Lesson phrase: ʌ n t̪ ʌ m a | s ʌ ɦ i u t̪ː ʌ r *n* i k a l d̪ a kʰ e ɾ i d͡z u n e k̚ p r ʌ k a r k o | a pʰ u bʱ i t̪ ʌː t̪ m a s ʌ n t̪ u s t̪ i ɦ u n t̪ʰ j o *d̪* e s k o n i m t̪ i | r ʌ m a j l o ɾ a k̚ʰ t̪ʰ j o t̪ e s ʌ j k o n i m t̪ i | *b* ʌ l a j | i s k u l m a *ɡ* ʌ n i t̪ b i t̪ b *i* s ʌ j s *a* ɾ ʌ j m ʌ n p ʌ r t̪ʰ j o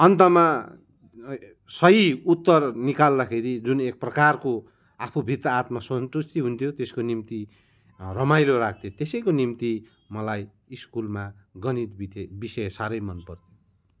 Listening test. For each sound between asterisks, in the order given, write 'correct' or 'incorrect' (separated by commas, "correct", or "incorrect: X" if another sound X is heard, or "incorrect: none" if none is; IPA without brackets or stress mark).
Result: correct, incorrect: t̪, incorrect: m, correct, correct, correct